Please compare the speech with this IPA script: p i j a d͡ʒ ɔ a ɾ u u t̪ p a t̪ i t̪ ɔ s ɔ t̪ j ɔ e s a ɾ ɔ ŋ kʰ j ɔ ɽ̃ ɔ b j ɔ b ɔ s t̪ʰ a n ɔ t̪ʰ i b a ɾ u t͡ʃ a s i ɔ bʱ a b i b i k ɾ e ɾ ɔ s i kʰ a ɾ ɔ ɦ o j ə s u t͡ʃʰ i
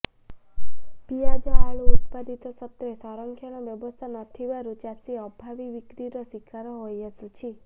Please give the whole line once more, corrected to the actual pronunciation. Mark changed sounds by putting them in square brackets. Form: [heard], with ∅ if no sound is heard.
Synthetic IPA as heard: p i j a d͡ʒ ɔ a [ɭ] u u t̪ p a [d̪] i t̪ ɔ s ɔ t̪ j ɔ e s a ɾ ɔ ŋ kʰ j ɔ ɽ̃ ɔ b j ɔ b ɔ s t̪ʰ a n ɔ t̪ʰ i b a ɾ u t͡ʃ a s i ɔ bʱ a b i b i k ɾ [i] ɾ ɔ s i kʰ a ɾ ɔ ɦ o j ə s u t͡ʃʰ i

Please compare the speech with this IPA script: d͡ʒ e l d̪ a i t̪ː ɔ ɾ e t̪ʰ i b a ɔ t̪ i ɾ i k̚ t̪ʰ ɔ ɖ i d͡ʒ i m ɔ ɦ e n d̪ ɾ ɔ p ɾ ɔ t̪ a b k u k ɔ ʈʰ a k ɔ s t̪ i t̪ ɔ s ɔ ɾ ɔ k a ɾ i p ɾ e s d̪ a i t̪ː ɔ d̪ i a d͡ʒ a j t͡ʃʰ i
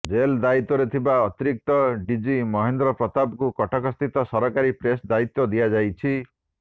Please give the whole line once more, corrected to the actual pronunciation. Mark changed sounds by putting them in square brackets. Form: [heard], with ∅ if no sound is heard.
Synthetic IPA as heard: d͡ʒ e l d̪ a i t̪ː ɔ ɾ e t̪ʰ i b a ɔ t̪ i ɾ i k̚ [t̪] ɔ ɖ i d͡ʒ i m ɔ ɦ e n d̪ ɾ ɔ p ɾ ɔ t̪ a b k u k ɔ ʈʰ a k ɔ s t̪ i t̪ ɔ s ɔ ɾ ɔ k a ɾ i p ɾ e s d̪ a i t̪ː ɔ d̪ i a d͡ʒ a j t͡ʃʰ i

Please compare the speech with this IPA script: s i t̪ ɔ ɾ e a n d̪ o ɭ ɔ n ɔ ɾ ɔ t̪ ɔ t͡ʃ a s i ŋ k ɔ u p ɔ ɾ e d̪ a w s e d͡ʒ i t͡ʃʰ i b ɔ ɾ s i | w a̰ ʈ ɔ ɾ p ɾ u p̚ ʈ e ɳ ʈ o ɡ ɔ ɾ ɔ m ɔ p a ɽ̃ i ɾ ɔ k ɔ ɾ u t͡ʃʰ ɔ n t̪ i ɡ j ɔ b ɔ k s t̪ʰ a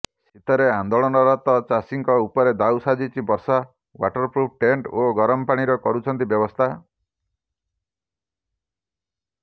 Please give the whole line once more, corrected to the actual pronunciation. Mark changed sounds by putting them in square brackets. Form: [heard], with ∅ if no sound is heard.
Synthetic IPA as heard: s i t̪ ɔ ɾ e a n d̪ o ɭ ɔ n ɔ ɾ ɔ t̪ ɔ t͡ʃ a s i ŋ k ɔ u p ɔ ɾ e d̪ a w s [a] d͡ʒ i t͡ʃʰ i b ɔ ɾ s [a] | w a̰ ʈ ɔ ɾ p ɾ u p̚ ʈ e ɳ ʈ o ɡ ɔ ɾ ɔ m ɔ p a ɽ̃ i ɾ ɔ k ɔ ɾ u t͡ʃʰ ɔ n t̪ i [b] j ɔ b ɔ [∅] s t̪ʰ a

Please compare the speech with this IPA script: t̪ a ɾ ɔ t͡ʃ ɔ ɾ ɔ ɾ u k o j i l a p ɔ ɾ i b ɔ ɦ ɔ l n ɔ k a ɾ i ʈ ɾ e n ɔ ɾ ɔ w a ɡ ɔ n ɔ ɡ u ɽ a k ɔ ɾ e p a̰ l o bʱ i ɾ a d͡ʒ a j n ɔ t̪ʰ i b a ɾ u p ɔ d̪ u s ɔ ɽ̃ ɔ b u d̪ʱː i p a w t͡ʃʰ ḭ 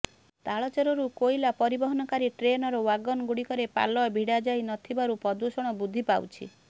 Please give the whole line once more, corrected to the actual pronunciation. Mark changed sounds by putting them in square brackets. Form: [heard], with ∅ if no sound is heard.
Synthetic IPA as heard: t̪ a [ɭ] ɔ t͡ʃ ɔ ɾ ɔ ɾ u k o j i l a p ɔ ɾ i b ɔ ɦ ɔ [∅] n ɔ k a ɾ i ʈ ɾ e n ɔ ɾ ɔ w a ɡ ɔ n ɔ ɡ u ɽ [i] k ɔ ɾ e p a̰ l [ɔ] bʱ i [ɽ] a d͡ʒ a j n ɔ t̪ʰ i b a ɾ u p ɔ d̪ u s ɔ ɽ̃ ɔ b u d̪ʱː i p a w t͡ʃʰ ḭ

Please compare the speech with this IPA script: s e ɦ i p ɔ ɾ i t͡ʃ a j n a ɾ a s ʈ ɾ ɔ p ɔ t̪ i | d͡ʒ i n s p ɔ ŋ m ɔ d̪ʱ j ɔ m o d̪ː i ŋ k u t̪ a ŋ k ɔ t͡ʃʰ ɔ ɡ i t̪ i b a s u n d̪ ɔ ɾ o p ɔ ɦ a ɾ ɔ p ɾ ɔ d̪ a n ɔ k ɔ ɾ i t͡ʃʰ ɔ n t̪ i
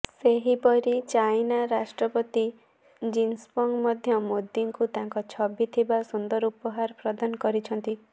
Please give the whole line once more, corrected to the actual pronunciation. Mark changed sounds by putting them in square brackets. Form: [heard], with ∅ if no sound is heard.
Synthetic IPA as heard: s e ɦ i p ɔ ɾ i t͡ʃ a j n a ɾ a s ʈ ɾ ɔ p ɔ t̪ i | d͡ʒ i n s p ɔ ŋ m ɔ d̪ʱ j ɔ m o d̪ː i ŋ k u t̪ a ŋ k ɔ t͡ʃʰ ɔ [b] i [t̪ʰ] i b a s u n d̪ ɔ ɾ [u] p ɔ ɦ a ɾ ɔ p ɾ ɔ d̪ a n ɔ k ɔ ɾ i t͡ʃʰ ɔ n t̪ i

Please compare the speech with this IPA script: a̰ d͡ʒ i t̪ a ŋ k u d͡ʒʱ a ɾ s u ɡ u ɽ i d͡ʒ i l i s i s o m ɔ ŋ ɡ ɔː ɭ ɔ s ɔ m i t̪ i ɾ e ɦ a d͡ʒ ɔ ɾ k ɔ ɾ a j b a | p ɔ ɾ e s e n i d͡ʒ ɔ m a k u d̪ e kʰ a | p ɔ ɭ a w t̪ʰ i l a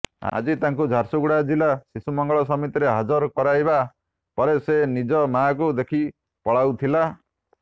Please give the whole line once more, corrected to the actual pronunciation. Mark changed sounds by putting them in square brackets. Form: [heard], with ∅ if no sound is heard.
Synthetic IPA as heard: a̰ d͡ʒ i t̪ a ŋ k u d͡ʒʱ a ɾ s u ɡ u ɽ [a] d͡ʒ i l [a] s i s [u] m ɔ ŋ ɡ [ɔ] ɭ ɔ s ɔ m i t̪ i ɾ e ɦ a d͡ʒ ɔ ɾ k ɔ ɾ a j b a | p ɔ ɾ e s e n i d͡ʒ ɔ m a k u d̪ e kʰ [i] | p ɔ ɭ a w t̪ʰ i l a

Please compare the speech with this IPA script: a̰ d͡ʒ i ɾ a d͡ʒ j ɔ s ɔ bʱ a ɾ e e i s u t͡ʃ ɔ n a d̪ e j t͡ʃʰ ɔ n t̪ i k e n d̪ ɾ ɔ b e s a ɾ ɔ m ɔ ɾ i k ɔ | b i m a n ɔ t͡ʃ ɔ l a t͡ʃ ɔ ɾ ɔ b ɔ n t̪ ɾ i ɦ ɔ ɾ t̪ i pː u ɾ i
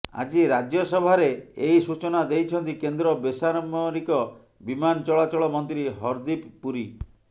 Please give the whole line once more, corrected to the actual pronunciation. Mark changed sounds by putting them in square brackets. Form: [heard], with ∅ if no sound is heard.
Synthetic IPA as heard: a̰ d͡ʒ i ɾ a d͡ʒ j ɔ s ɔ bʱ a ɾ e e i s u t͡ʃ ɔ n a d̪ e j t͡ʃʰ ɔ n t̪ i k e n d̪ ɾ ɔ b e s a ɾ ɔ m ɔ ɾ i k ɔ | b i m a n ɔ t͡ʃ ɔ [ɭ] a t͡ʃ ɔ [ɭ] ɔ [m] ɔ n t̪ ɾ i ɦ ɔ ɾ [d̪] i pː u ɾ i

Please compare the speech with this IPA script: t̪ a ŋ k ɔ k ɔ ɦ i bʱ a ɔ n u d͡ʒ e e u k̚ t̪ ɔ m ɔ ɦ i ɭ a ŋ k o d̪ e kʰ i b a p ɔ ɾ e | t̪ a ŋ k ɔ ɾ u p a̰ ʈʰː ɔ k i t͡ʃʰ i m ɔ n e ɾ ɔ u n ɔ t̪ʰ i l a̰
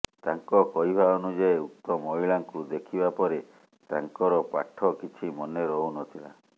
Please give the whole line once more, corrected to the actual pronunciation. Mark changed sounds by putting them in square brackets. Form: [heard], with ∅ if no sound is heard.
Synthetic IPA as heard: t̪ a ŋ k ɔ k ɔ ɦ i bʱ a ɔ n u d͡ʒ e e u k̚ t̪ ɔ m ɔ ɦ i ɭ a ŋ k [u] d̪ e kʰ i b a p ɔ ɾ e | t̪ a ŋ k ɔ ɾ [ɔ] p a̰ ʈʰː ɔ k i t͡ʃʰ i m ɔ n e ɾ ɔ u n ɔ t̪ʰ i l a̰

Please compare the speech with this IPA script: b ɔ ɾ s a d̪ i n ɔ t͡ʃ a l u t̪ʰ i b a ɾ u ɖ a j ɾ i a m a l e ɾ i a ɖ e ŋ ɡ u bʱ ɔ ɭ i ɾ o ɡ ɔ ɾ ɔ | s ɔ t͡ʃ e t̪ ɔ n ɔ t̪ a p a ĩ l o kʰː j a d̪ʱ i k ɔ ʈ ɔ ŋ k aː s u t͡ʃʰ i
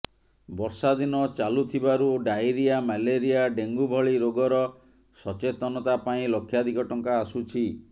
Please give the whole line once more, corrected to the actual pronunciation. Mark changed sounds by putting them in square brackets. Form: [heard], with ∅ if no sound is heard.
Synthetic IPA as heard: b ɔ ɾ s a d̪ i n ɔ t͡ʃ a l u t̪ʰ i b a ɾ u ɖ a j ɾ i a m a l e ɾ i a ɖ e ŋ ɡ u bʱ ɔ ɭ i ɾ o ɡ ɔ ɾ ɔ | s ɔ t͡ʃ e t̪ ɔ n ɔ t̪ a p a ĩ l o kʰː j a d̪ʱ i k ɔ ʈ ɔ ŋ k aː s u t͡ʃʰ i

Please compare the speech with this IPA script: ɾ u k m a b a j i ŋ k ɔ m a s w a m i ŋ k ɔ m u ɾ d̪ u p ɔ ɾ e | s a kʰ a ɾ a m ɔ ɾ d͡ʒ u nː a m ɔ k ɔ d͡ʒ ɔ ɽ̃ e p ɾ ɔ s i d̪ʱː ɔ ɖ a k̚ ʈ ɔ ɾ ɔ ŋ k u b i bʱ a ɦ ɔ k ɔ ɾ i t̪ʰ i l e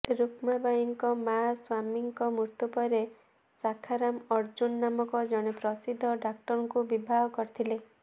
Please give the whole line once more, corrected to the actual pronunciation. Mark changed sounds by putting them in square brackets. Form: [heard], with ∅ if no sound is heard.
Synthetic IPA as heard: ɾ u k m a b a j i ŋ k ɔ m a s w a m i ŋ k ɔ m u ɾ [t̪] u p ɔ ɾ e | s a kʰ a ɾ a m ɔ ɾ d͡ʒ u nː a m ɔ k ɔ d͡ʒ ɔ ɽ̃ e p ɾ ɔ s i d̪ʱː ɔ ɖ a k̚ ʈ ɔ ɾ ɔ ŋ k u b i bʱ a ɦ ɔ k ɔ ɾ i t̪ʰ i l e

